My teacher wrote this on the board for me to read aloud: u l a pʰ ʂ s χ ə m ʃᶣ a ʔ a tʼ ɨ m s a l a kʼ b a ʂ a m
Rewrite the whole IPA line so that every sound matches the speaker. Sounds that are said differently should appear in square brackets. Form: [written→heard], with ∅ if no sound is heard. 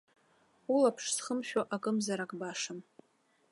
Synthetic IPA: u l a pʰ ʂ s χ ə m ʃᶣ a ʔ a [tʼ→kʼ] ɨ m [s→z] a [l→ɾ] a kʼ b a ʂ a m